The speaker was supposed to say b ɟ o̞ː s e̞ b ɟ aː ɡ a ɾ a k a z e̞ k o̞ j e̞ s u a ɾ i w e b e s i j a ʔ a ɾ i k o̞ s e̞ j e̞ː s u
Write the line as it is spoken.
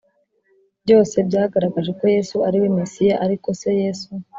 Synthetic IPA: b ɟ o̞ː s e̞ b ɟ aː ɡ a ɾ a ɡ a ʒ e̞ k o̞ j e̞ s u a ɾ i w e m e s i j a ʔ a ɾ i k o̞ s e̞ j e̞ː s u